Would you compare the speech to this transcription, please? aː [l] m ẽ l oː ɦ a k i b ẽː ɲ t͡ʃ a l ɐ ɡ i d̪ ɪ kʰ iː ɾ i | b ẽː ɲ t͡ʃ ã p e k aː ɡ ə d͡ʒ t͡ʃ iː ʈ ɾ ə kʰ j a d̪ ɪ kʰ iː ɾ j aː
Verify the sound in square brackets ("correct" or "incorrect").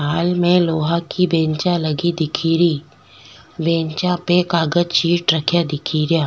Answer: correct